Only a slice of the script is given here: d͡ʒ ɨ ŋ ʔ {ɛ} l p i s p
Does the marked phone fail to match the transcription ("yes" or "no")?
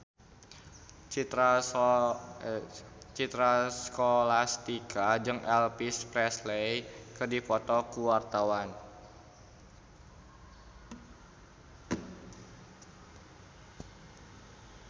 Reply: no